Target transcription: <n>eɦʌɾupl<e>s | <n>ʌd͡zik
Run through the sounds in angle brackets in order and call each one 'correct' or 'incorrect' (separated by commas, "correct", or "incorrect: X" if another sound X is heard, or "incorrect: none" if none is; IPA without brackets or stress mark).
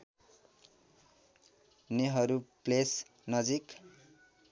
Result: correct, correct, correct